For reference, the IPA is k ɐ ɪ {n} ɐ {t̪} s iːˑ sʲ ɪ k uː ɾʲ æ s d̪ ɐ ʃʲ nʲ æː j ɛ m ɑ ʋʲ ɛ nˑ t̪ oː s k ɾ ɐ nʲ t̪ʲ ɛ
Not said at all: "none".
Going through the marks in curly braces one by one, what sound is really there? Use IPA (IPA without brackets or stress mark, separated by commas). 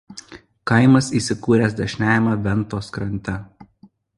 m, none